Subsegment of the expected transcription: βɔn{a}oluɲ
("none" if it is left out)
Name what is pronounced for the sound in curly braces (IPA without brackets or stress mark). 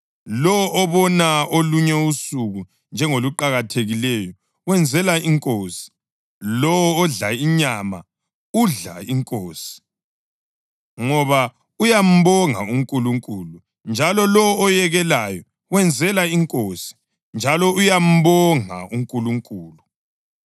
a